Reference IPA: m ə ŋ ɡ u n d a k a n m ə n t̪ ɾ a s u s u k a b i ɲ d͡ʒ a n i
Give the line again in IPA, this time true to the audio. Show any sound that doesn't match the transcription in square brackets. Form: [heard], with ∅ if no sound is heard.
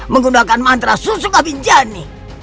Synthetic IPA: m ə ŋ ɡ u n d a k a n m [a] n t̪ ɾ a s u s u k a b i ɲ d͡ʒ a n i